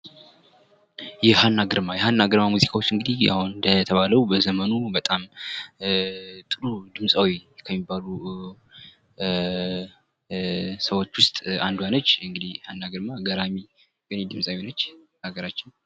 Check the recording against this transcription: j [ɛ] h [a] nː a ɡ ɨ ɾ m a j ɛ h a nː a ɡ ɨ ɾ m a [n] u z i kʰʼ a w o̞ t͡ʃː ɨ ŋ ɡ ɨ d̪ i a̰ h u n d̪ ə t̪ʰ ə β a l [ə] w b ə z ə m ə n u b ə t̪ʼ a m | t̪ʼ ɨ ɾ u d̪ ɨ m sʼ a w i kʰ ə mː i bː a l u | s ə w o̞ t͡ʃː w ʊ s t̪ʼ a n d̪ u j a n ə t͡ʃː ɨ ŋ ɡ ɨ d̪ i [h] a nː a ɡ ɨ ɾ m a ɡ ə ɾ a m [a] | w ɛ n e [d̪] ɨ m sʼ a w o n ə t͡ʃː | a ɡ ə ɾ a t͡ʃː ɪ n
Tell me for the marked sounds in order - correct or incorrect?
correct, correct, incorrect: m, correct, correct, incorrect: i, correct

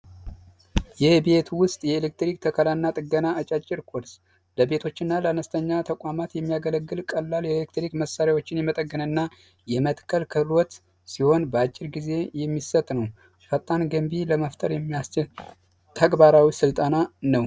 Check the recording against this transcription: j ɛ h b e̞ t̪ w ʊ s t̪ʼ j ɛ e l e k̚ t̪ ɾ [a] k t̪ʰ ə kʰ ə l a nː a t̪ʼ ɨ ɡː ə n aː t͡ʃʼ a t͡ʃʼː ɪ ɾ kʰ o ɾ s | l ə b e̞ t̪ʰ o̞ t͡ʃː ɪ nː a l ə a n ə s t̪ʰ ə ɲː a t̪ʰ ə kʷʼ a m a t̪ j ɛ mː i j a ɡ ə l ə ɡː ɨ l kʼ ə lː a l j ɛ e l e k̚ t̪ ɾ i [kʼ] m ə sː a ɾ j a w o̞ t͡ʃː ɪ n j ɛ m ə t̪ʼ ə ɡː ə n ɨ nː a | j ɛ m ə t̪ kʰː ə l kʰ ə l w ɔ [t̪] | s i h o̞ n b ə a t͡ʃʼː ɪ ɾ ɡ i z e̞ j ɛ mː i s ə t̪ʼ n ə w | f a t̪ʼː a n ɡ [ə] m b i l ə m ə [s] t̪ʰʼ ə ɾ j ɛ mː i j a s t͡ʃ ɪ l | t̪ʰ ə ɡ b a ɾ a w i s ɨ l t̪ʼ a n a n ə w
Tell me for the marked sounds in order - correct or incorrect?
incorrect: i, incorrect: k, correct, correct, incorrect: f

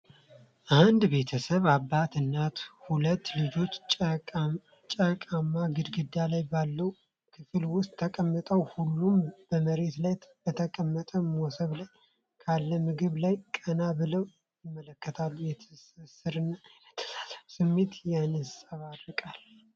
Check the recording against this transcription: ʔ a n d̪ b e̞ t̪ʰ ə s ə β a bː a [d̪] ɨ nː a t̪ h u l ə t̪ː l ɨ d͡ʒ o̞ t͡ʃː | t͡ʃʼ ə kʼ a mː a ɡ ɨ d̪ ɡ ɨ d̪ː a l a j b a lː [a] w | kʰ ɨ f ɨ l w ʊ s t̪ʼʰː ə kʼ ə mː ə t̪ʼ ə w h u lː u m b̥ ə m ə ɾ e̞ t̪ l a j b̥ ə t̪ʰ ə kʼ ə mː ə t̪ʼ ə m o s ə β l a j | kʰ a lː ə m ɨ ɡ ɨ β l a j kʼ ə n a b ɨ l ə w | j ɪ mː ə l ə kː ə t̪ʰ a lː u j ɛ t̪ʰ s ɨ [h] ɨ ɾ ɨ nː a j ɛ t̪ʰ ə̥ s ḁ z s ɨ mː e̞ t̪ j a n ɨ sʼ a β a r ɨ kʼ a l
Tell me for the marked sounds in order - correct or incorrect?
incorrect: t̪, incorrect: ə, incorrect: s

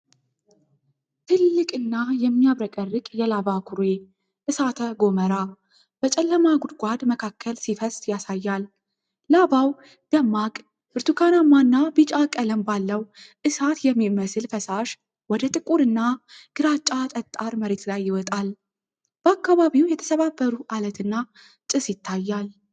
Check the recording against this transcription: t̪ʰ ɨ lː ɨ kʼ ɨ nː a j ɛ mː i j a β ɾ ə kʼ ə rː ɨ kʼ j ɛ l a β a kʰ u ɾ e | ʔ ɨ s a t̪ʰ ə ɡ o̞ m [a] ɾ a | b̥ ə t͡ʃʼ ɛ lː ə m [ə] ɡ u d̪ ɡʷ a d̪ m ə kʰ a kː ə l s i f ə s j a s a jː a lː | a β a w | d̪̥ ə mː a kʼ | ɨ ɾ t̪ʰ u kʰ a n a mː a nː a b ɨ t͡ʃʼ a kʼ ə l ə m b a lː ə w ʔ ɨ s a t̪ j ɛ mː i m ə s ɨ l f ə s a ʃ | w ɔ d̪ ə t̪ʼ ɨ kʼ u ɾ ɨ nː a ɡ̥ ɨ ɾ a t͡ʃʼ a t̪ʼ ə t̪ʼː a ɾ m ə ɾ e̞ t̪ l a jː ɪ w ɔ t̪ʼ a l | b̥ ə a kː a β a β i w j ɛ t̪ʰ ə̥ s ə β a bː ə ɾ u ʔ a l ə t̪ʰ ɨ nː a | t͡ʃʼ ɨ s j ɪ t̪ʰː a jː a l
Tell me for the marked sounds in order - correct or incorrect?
incorrect: ə, incorrect: a

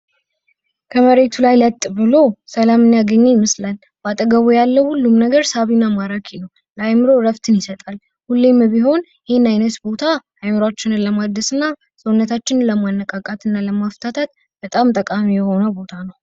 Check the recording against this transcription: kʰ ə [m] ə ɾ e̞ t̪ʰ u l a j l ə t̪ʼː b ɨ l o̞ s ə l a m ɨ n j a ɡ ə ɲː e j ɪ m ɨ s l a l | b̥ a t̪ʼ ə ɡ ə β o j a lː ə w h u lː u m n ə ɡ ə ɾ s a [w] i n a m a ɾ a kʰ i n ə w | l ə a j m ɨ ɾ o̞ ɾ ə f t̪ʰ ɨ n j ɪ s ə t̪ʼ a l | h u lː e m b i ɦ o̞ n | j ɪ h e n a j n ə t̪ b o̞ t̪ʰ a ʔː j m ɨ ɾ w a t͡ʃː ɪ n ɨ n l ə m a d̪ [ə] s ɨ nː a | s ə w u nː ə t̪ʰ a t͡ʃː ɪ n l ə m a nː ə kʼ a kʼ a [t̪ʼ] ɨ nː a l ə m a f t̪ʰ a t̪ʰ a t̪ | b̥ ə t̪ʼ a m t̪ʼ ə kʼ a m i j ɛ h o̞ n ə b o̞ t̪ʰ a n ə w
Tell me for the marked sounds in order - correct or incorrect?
correct, incorrect: β, correct, incorrect: t̪

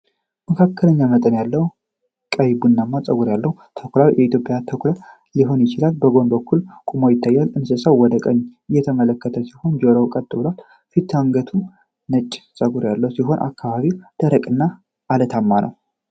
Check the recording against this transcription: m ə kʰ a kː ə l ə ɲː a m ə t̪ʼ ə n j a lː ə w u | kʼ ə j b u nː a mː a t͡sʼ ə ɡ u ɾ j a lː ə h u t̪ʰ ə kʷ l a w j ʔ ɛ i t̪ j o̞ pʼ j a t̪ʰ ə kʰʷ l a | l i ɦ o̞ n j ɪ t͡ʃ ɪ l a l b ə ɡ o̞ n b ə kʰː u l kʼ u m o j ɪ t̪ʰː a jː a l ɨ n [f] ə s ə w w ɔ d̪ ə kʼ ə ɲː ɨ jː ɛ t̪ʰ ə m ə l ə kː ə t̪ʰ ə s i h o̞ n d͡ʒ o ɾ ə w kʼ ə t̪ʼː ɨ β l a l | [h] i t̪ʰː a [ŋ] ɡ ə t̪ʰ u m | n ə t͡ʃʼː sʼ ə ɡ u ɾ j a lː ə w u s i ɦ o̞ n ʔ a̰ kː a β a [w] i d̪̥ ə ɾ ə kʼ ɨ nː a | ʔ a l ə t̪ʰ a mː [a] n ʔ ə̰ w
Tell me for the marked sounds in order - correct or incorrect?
incorrect: s, incorrect: f, correct, incorrect: β, correct

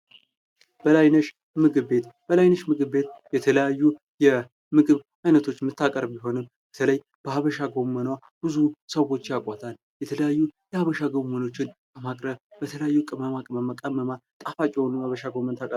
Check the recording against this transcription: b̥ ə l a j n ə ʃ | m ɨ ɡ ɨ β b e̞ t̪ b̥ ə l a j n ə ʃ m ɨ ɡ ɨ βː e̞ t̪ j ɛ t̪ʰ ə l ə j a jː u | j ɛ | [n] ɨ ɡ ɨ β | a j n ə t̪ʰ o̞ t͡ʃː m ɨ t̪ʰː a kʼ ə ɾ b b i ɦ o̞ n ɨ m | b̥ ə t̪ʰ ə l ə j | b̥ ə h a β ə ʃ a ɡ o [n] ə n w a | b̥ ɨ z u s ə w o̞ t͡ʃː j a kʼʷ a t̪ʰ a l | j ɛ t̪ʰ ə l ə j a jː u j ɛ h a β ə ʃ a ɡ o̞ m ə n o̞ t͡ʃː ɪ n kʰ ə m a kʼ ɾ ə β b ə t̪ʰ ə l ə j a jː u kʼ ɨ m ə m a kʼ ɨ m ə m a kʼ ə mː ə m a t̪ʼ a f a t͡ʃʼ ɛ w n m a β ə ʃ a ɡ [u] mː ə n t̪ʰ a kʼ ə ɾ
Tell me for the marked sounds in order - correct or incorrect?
incorrect: m, incorrect: m, incorrect: o

